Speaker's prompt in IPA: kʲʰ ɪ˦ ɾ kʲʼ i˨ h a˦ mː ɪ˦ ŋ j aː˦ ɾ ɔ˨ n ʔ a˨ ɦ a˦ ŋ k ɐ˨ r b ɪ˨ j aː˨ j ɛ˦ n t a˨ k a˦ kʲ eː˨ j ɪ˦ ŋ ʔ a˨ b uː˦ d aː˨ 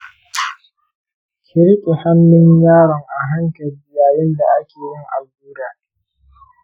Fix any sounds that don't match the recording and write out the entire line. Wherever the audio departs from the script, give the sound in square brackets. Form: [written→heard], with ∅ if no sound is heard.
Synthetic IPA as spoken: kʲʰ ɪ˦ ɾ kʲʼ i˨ h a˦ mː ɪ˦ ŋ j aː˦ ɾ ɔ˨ [n→ŋ] ʔ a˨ ɦ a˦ ŋ k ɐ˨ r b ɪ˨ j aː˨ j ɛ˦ n [t→d] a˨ [k→ʔ] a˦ kʲ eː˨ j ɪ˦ ŋ ʔ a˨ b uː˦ d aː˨